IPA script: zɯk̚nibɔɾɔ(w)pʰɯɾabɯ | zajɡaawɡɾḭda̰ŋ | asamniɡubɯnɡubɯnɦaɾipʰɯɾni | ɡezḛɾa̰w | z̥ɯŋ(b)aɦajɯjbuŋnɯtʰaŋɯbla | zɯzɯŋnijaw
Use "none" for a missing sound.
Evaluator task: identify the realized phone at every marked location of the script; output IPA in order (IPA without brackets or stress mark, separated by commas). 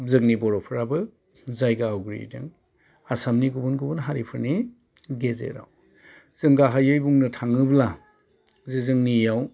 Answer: none, ɡ